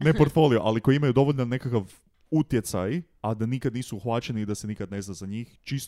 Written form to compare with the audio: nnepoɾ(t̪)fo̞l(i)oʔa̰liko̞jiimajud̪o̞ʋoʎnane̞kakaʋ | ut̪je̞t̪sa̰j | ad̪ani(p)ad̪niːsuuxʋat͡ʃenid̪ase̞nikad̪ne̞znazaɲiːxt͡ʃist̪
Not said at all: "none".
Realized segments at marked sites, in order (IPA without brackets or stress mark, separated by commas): t̪, i, k